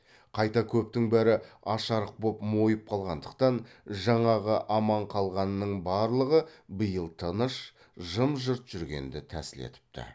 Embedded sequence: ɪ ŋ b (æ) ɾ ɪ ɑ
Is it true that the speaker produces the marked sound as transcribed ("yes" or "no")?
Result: yes